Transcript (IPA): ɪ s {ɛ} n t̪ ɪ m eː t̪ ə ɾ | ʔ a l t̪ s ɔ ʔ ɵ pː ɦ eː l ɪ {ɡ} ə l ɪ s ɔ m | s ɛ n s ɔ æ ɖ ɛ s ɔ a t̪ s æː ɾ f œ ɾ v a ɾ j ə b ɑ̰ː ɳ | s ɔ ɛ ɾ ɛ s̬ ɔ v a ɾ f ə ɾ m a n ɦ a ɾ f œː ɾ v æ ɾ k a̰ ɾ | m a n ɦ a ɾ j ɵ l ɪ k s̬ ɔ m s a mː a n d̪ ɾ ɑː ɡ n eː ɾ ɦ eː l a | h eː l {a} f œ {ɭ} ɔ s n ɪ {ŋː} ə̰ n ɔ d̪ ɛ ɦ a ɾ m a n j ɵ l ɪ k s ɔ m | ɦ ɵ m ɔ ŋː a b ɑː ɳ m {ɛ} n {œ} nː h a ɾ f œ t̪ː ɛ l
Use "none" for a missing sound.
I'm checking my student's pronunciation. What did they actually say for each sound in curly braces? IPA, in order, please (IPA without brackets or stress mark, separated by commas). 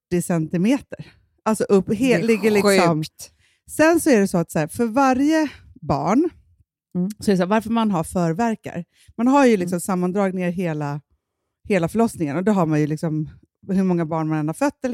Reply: ɛ, ɡː, a, ɭ, ŋ, a, ɛ